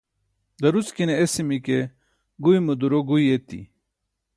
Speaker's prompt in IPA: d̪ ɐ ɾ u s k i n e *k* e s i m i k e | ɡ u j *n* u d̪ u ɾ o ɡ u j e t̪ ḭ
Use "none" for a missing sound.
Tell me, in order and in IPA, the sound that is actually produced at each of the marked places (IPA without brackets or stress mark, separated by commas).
none, m